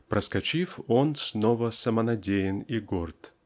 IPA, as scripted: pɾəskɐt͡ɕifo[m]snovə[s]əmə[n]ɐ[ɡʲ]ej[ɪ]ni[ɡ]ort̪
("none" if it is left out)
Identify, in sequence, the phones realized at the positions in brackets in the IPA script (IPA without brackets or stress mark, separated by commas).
n, s, n, dʲ, ɪ, ɡ